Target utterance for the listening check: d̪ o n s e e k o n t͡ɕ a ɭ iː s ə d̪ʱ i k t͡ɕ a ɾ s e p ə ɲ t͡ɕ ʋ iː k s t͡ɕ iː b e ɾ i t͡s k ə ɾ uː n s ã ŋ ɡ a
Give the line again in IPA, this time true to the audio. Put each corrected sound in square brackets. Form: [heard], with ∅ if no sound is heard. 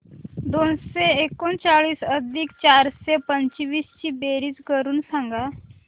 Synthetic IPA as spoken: d̪ o n s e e k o n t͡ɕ a ɭ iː s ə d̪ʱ i k t͡ɕ a ɾ s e p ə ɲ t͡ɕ ʋ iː [∅] s t͡ɕ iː b e ɾ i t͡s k ə ɾ uː n s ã ŋ ɡ a

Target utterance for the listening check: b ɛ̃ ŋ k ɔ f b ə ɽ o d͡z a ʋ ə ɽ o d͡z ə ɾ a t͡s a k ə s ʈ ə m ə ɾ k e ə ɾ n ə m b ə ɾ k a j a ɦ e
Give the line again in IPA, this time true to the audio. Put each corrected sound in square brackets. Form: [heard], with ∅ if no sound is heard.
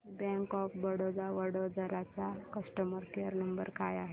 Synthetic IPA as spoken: b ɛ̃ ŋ k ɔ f b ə ɽ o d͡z a ʋ ə ɽ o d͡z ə ɾ a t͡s a k ə s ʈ ə m ə ɾ k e ə ɾ n ə m b ə ɾ k a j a ɦ e

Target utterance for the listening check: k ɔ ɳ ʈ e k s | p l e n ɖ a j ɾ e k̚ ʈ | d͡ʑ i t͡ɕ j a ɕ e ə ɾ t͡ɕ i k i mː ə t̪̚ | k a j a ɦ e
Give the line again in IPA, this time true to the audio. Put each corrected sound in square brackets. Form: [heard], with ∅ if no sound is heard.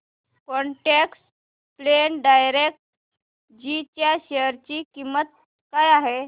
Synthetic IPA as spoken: k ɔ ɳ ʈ e k s | p l e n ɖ a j ɾ e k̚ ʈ | d͡ʑ i t͡ɕ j a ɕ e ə ɾ t͡ɕ i k i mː ə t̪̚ | k a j a ɦ e

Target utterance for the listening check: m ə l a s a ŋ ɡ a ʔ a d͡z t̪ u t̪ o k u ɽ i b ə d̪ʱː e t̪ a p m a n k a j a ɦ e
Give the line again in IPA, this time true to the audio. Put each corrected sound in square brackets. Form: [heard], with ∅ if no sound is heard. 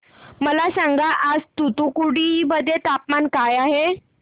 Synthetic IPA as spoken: m ə l a s a ŋ ɡ a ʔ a d͡z t̪ u t̪ [u] k u ɽ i b ə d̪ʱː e t̪ a p m a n k a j a ɦ e

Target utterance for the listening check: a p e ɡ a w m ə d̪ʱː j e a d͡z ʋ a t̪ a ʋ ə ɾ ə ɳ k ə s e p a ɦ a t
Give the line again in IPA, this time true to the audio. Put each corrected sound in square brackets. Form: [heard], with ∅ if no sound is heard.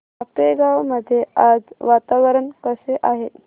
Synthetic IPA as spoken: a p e ɡ a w m ə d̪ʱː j e a d͡z ʋ a t̪ a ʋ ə ɾ ə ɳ k ə s e [ʔ] a ɦ [e] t

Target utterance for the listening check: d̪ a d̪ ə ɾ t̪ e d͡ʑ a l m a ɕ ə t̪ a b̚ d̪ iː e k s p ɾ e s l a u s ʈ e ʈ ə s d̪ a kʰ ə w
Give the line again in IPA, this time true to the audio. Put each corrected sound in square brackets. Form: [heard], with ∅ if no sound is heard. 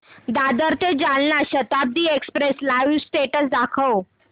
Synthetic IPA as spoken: d̪ a d̪ ə ɾ t̪ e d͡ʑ a l [n] a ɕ ə t̪ a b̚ d̪ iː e k s p ɾ e s l a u s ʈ e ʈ ə s d̪ a kʰ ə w

